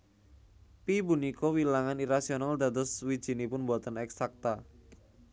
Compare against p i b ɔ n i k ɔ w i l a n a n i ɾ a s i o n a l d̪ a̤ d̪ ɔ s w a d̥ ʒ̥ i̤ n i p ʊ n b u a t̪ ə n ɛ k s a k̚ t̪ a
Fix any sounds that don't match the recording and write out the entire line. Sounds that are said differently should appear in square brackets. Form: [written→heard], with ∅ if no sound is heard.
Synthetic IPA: p i b [ɔ→u] n i k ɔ w i l a [n→ŋ] a n i ɾ a s i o n a l d̪ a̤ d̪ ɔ s w [a→i] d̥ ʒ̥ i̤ n i p ʊ n b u a t̪ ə n ɛ k s a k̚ t̪ a